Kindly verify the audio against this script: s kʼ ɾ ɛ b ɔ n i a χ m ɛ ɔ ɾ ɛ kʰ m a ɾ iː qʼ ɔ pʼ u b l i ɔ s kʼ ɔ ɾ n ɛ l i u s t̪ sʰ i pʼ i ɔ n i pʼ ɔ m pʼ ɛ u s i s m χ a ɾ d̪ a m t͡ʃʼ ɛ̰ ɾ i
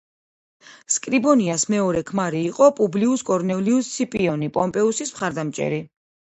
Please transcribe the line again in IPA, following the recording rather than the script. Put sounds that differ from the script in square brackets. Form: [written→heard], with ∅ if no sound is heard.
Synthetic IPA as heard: s kʼ ɾ [ɛ→i] b ɔ n i a [χ→s] m ɛ ɔ ɾ ɛ kʰ m a ɾ iː qʼ ɔ pʼ u b l i [ɔ→u] s kʼ ɔ ɾ n ɛ l i u s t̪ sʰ i pʼ i ɔ n i pʼ ɔ m pʼ ɛ u s i s m χ a ɾ d̪ a m t͡ʃʼ ɛ̰ ɾ i

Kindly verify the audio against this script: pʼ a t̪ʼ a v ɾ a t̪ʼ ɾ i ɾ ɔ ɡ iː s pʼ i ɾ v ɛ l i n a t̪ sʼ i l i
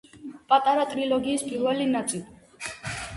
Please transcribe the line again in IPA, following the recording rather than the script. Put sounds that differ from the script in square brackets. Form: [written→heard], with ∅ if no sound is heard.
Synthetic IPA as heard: pʼ a t̪ʼ a [v→∅] ɾ a t̪ʼ ɾ i [ɾ→l] ɔ ɡ iː s pʼ i ɾ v ɛ l i n a t̪ sʼ i l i

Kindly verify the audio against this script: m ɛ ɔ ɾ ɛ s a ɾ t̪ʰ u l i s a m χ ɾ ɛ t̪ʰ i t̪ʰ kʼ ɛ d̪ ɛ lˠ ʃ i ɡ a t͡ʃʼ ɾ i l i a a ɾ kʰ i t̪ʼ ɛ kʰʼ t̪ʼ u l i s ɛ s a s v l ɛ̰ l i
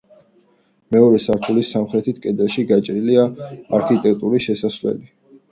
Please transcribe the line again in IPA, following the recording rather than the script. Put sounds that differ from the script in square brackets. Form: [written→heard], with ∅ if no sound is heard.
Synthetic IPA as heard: m ɛ ɔ ɾ ɛ s a ɾ t̪ʰ u l i s a m χ ɾ ɛ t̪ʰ i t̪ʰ kʼ ɛ d̪ ɛ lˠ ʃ i ɡ a t͡ʃʼ ɾ i l i a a ɾ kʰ i t̪ʼ ɛ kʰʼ t̪ʼ u [l→ɾ] i [s→ʃ] ɛ s a s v l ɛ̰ l i

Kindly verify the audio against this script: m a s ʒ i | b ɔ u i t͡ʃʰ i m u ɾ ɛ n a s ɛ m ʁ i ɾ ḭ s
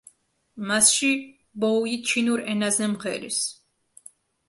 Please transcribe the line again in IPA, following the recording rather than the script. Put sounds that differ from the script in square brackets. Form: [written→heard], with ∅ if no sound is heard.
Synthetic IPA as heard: m a s [ʒ→ʃ] i | b ɔ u i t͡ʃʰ i [m→n] u ɾ ɛ n a [s→z] ɛ m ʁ [i→ɛ] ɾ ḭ s

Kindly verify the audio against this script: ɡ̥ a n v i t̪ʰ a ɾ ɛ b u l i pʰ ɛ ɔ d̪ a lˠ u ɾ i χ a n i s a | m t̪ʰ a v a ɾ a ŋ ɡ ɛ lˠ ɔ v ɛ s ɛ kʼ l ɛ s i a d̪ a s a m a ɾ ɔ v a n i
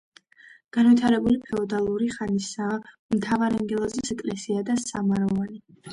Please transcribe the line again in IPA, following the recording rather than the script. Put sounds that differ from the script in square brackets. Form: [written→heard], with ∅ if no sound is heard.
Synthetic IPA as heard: ɡ̥ a n v i t̪ʰ a ɾ ɛ b u l i pʰ ɛ ɔ d̪ a lˠ u ɾ i χ a n i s a | m t̪ʰ a v a ɾ a ŋ ɡ ɛ lˠ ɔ [v→z] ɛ s ɛ kʼ l ɛ s i a d̪ a s a m a ɾ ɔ v a n i

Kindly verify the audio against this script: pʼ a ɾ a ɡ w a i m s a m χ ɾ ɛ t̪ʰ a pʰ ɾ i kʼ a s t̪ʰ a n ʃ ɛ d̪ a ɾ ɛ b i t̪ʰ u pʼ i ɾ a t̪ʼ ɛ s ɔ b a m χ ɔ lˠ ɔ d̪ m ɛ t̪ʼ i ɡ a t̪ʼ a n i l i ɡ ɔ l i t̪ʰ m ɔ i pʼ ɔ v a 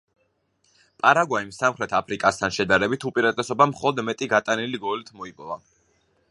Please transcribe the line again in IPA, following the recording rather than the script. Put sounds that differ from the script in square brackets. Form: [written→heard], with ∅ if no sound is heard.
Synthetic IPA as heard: pʼ a ɾ a ɡ w a i m s a m χ ɾ ɛ t̪ʰ a pʰ ɾ i kʼ a s t̪ʰ a n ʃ ɛ d̪ a ɾ ɛ b i t̪ʰ u pʼ i ɾ a t̪ʼ ɛ s ɔ b a m χ ɔ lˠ ɔ d̪ m ɛ t̪ʼ i ɡ a t̪ʼ a n i l i ɡ ɔ l i t̪ʰ m ɔ i pʼ ɔ v a

